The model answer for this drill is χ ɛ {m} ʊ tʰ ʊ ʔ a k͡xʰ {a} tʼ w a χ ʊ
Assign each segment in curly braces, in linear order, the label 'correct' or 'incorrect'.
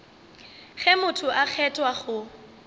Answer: correct, incorrect: ɛ

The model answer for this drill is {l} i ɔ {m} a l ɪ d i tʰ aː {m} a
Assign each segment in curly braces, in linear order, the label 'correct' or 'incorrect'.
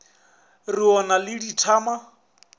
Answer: incorrect: r, incorrect: n, correct

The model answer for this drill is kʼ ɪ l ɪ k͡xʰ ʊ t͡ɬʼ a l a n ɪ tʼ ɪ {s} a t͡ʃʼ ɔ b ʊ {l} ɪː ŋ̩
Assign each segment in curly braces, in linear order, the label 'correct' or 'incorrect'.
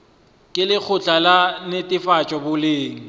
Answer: incorrect: f, correct

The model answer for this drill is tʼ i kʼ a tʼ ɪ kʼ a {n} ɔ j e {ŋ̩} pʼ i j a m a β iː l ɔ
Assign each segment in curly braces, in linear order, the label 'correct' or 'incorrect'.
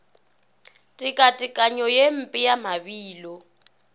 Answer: incorrect: ɲ, incorrect: m̩

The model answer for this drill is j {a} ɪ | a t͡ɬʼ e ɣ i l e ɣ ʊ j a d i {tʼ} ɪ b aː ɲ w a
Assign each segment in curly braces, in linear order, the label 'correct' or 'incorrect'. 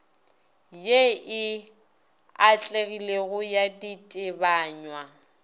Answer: incorrect: e, correct

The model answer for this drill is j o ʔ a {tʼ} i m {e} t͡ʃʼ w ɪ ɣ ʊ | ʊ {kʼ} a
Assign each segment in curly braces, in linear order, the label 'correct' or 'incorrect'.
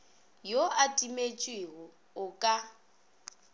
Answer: correct, correct, correct

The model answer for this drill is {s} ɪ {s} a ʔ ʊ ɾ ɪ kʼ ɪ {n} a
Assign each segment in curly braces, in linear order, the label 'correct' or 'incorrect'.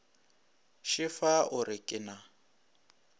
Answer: incorrect: ʃ, incorrect: f, correct

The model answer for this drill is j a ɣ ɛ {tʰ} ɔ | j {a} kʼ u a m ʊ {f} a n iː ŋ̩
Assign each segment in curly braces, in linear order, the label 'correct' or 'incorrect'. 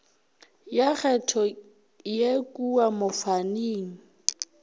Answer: correct, incorrect: e, correct

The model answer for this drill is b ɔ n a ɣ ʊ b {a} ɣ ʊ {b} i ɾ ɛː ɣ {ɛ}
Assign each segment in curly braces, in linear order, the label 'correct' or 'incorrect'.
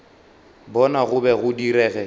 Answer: incorrect: ɛ, incorrect: d, correct

